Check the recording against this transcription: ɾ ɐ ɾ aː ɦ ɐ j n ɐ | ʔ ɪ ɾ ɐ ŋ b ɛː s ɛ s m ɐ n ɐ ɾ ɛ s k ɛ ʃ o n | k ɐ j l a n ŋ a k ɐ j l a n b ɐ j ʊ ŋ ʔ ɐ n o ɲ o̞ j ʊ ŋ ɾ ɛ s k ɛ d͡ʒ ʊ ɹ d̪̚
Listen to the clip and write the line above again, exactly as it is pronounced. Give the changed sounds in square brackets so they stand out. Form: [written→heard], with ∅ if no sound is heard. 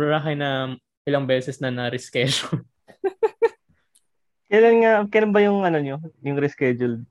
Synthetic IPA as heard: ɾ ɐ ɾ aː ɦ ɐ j n ɐ | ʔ ɪ [ɾ→l] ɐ ŋ b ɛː s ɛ s [m→n] ɐ n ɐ ɾ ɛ s k ɛ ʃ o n | k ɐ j l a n ŋ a k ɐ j l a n b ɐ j ʊ ŋ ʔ ɐ n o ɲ o̞ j ʊ ŋ ɾ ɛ s k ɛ d͡ʒ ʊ [ɹ→l] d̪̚